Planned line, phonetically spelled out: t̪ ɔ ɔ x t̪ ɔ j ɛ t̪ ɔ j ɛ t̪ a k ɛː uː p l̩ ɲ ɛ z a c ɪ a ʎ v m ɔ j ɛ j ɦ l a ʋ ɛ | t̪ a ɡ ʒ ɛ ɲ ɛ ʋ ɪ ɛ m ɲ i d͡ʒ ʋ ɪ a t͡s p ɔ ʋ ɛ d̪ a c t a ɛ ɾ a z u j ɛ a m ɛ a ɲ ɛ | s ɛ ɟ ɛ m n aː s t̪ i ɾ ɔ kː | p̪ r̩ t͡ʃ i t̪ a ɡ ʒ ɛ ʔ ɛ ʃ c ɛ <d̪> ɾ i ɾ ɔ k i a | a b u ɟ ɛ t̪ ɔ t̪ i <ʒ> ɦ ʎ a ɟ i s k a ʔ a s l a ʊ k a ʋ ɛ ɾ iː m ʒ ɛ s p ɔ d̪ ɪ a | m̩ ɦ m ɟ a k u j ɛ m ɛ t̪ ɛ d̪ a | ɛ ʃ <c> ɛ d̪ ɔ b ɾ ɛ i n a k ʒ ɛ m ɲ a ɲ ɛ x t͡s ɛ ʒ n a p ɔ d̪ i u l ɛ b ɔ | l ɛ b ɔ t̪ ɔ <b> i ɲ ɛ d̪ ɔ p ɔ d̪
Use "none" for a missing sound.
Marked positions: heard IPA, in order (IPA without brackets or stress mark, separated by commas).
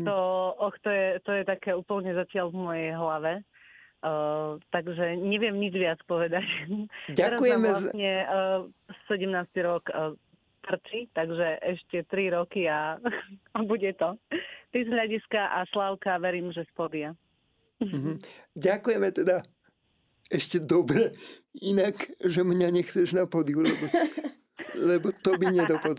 t̪, z, c, b